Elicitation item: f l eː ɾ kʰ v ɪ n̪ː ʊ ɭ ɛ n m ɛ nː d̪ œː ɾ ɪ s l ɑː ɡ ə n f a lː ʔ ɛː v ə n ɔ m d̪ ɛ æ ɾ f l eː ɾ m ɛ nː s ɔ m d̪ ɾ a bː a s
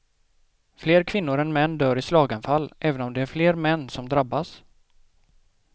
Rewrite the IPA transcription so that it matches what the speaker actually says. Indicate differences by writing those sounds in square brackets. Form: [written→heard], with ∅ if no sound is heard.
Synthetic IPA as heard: f l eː ɾ kʰ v ɪ n̪ː ʊ [ɭ→ɾ] ɛ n m ɛ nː d̪ œː ɾ ɪ s l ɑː ɡ [ə→a] n f a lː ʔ ɛː v ə n ɔ m d̪ ɛ æ ɾ f l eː ɾ m ɛ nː s ɔ m d̪ ɾ a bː a s